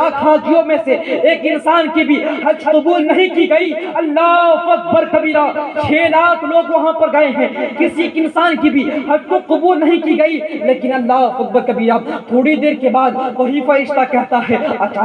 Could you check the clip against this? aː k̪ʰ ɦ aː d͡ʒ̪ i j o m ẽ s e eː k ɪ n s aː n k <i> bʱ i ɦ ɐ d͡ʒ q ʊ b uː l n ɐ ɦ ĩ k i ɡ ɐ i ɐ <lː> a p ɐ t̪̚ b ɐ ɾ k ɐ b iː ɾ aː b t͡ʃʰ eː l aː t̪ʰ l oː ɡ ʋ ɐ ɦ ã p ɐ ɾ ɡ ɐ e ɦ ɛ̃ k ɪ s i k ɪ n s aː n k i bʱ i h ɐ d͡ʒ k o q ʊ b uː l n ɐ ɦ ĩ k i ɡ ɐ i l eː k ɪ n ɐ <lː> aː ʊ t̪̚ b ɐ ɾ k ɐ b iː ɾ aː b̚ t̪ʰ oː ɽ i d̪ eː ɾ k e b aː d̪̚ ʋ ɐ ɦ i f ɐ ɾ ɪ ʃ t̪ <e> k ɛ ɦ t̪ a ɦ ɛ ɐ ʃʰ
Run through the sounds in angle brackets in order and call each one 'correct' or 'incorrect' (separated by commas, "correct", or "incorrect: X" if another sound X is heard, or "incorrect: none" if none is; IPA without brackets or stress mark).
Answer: correct, correct, correct, incorrect: a